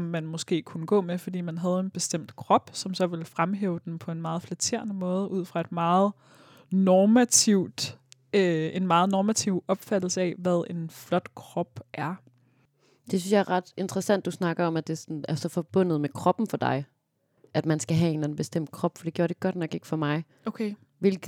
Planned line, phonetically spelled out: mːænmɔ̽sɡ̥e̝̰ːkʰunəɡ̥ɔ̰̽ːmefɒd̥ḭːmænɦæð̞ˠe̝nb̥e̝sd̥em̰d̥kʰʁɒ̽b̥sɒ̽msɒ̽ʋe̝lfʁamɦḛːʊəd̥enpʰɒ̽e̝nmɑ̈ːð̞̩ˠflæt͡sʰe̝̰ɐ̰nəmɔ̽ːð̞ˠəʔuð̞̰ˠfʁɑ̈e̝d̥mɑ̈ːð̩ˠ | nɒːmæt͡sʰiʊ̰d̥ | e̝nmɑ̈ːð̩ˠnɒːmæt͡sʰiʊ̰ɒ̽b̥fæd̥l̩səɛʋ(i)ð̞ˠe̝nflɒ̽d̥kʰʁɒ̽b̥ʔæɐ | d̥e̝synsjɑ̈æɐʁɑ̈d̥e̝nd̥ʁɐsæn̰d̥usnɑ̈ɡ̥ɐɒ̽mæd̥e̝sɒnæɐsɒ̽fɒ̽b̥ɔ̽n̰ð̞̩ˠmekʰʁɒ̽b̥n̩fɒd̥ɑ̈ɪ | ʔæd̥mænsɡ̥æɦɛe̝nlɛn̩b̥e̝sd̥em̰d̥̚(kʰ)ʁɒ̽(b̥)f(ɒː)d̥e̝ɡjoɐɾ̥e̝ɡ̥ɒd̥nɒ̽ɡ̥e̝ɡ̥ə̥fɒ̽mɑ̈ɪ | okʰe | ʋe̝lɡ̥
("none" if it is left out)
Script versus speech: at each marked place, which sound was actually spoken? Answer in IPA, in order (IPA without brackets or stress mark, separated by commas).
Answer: æ, kʰ, b̥, ɒ